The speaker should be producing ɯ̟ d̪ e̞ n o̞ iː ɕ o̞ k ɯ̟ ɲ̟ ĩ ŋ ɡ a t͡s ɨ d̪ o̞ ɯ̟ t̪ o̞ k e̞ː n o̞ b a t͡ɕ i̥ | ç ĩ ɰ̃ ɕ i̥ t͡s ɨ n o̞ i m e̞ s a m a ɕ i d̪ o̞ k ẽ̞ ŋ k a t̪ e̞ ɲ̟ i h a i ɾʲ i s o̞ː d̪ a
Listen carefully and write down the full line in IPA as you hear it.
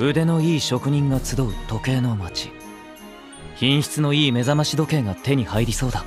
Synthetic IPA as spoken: ɯ̟ d̪ e̞ n o̞ iː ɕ o̞ k ɯ̟ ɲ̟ ĩ ŋ ɡ a t͡s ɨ d̪ o̞ ɯ̟ t̪ o̞ k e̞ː n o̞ m a t͡ɕ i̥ | ç ĩ ɰ̃ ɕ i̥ t͡s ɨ n o̞ iː m e̞ z a m a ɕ i d̪ o̞ k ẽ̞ ŋ ɡ a t̪ e̞ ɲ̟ i h a i ɾʲ i s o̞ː d̪ a

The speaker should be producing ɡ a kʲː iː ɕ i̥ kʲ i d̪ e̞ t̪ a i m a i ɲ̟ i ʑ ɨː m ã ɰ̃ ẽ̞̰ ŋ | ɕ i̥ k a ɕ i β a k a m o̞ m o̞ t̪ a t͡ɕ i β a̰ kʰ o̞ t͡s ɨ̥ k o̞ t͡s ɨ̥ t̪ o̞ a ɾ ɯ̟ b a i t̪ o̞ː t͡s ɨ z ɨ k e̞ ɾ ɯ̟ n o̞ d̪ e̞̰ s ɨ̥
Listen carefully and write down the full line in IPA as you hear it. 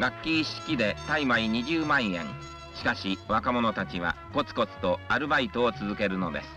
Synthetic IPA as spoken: ɡ a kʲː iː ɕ i̥ kʲ i d̪ e̞ t̪ a i m a i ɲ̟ i ʑ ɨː m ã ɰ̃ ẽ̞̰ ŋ | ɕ i̥ k a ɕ i β a k a m o̞ n o̞ t̪ a t͡ɕ i β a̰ k o̞ t͡s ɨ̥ k o̞ t͡s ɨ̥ t̪ o̞ a ɾ ɯ̟ b a i t̪ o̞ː t͡s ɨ z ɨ k e̞ ɾ ɯ̟ n o̞ d̪ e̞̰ s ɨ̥

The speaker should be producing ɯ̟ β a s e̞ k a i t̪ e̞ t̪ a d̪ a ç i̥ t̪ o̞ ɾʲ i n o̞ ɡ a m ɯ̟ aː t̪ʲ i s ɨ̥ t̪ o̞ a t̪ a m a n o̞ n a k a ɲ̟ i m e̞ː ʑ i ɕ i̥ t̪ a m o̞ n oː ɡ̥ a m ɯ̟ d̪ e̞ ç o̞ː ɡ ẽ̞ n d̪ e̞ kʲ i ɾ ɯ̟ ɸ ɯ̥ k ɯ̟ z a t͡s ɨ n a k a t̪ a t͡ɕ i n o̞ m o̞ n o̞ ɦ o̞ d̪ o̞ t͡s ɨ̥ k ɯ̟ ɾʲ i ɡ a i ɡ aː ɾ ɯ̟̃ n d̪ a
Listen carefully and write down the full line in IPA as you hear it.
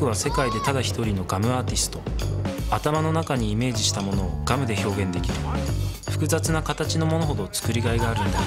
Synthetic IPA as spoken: ɯ̟ β a s e̞ k a i d̪ e̞ t̪ a d̪ a ç i̥ t̪ o̞ ɾʲ i n o̞ ɡ a m ɯ̟ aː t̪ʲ i s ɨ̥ t̪ o̞ a t̪ a m a n o̞ n a k a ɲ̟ iː m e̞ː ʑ i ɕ i̥ t̪ a m o̞ n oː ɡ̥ a m ɯ̟ d̪ e̞ ç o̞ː ɡ ẽ̞ n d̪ e̞ kʲ i ɾ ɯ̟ ɸ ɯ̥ k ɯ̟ z a t͡s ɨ n a k a t̪ a t͡ɕ i n o̞ m o̞ n o̞ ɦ o̞ d̪ o̞ t͡s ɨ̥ k ɯ̟ ɾʲ i ɡ a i ɡ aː ɾ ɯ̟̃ n d̪ a

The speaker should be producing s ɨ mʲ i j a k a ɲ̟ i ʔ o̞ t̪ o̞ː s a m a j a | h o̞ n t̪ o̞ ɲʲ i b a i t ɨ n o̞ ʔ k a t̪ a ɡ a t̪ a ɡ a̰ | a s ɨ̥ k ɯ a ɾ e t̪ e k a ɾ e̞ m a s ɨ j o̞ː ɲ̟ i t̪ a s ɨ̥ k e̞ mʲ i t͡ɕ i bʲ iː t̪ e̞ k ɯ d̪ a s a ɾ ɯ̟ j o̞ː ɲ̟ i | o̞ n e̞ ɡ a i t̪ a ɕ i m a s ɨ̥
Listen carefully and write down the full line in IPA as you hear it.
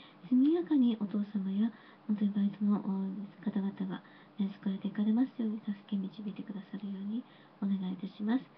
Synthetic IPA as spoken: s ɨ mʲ i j a k a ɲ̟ i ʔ o̞ t̪ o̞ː s a m a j a | h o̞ n t̪ o̞ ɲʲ i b a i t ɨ n o̞ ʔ k a t̪ a ɡ a t̪ a ɡ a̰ | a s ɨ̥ k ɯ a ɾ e t̪ e k a ɾ e̞ m a s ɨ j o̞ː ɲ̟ i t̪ a s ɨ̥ k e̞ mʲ i t͡ɕ i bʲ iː t̪ e̞ k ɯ d̪ a s a ɾ ɯ̟ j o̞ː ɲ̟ i | o̞ n e̞ ɡ a i t̪ a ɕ i m a s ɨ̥

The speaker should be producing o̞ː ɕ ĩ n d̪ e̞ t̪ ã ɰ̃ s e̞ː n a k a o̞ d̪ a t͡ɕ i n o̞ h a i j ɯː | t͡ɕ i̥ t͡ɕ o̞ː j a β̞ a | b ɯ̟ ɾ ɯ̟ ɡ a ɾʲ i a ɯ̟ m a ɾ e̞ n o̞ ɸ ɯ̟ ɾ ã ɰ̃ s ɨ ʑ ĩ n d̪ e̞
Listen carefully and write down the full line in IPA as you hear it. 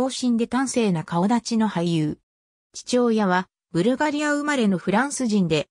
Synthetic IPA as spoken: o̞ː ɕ ĩ n d̪ e̞ t̪ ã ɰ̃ s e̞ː n a k a o̞ d̪ a t͡ɕ i n o̞ h a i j ɯː | t͡ɕ i̥ t͡ɕ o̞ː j a β̞ a | b ɯ̟ ɾ ɯ̟ ɡ a ɾʲ i a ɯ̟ m a ɾ e̞ n o̞ ɸ ɯ̟ ɾ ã ɰ̃ s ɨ ʑ ĩ n d̪ e̞

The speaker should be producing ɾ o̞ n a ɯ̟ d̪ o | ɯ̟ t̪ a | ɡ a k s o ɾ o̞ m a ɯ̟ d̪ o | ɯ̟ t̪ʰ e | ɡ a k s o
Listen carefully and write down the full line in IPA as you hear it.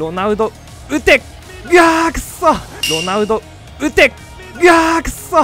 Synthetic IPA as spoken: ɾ o̞ n a ɯ̟ d̪ o | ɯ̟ t̪ e | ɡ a k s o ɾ o̞ n a ɯ̟ d̪ o | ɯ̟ t̪ e | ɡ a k s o

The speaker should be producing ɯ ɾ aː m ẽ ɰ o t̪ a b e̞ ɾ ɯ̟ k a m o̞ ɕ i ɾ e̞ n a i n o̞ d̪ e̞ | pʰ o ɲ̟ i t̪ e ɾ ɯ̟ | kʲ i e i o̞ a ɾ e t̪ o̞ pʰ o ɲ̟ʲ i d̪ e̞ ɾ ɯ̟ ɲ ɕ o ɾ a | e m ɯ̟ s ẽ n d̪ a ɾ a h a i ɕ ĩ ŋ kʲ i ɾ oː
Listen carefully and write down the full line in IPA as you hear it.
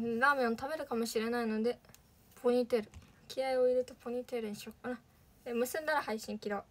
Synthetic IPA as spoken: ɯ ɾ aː m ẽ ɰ o t̪ a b e̞ ɾ ɯ̟ k a m o̞ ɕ i ɾ e̞ n a i n o̞ d̪ e̞ | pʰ o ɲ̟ i t̪ e ɾ ɯ̟ | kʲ i a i o̞ i ɾ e t̪ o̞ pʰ o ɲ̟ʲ i t̪ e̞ ɾ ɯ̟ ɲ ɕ o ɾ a | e m ɯ̟ s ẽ n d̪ a ɾ a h a i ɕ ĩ ŋ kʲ i ɾ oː

